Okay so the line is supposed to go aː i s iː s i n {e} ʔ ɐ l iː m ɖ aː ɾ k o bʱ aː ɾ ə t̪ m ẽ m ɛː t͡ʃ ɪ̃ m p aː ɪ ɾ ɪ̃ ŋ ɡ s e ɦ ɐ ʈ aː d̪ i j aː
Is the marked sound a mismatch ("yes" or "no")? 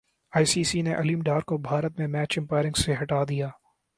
no